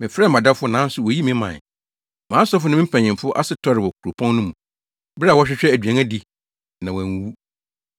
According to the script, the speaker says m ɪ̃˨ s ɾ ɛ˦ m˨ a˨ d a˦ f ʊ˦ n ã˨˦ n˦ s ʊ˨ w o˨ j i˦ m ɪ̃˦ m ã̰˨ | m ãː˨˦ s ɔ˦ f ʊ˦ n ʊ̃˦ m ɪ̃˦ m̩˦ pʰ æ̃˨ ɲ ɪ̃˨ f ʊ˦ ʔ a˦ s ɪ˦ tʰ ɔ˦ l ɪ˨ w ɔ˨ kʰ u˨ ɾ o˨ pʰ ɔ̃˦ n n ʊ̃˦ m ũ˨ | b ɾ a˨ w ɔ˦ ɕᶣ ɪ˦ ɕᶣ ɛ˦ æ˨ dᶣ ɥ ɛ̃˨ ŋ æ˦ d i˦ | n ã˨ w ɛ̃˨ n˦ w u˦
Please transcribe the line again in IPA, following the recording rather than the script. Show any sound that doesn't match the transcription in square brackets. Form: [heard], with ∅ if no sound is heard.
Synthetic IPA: m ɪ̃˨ [f] ɾ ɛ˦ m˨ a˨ d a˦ f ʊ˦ n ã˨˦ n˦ s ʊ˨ w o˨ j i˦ m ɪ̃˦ m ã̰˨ | m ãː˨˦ s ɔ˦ f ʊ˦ n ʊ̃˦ m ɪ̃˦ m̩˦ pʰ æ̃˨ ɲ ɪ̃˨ f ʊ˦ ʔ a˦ s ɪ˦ tʰ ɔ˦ [ɾ] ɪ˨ w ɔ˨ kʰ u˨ ɾ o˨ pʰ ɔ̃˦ n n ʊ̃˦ m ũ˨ | b ɾ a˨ w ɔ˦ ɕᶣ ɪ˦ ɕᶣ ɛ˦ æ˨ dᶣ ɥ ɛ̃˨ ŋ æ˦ d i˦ | n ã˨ w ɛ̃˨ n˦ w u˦